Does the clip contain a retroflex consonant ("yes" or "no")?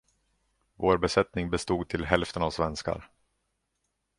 no